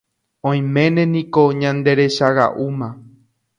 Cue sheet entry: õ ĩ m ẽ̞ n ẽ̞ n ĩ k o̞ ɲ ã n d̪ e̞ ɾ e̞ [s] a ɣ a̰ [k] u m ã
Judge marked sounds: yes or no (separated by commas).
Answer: no, no